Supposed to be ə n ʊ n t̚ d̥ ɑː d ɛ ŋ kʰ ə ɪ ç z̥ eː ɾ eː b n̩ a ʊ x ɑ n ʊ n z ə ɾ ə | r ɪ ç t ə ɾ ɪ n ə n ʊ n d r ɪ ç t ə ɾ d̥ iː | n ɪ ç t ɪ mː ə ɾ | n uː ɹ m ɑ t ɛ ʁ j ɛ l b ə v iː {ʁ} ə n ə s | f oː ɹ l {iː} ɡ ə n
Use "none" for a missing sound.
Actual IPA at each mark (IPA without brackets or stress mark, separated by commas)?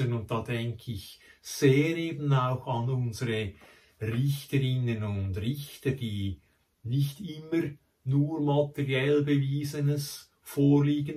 z, iː